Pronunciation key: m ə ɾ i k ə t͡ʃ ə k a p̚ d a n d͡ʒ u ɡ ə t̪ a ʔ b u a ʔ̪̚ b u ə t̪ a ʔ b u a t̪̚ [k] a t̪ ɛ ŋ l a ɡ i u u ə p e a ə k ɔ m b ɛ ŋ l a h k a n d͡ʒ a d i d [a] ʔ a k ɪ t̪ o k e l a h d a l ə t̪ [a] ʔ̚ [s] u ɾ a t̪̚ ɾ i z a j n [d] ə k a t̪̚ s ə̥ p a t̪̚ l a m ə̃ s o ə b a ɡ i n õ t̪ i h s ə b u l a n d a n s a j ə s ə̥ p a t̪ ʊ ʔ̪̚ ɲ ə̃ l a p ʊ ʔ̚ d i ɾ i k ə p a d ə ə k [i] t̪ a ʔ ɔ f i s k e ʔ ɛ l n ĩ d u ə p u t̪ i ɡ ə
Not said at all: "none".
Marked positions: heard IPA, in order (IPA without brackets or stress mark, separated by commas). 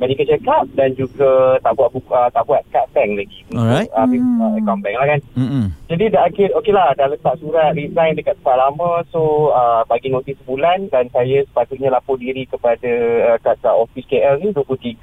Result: k, a, a, s, d, a